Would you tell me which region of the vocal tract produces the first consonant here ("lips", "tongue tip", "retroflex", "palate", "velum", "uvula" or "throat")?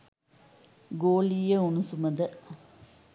velum